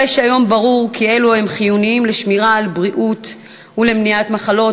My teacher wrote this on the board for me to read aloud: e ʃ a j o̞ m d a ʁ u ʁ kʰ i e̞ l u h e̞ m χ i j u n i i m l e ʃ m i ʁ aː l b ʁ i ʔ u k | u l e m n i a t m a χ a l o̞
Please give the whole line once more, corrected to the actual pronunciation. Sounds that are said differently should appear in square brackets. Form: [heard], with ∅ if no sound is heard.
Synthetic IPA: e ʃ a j o̞ m [b] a ʁ u ʁ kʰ i e̞ l u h e̞ m χ i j u n i i m l e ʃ m i ʁ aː l b ʁ i ʔ u [t] | u l e m n i a t m a χ a l o̞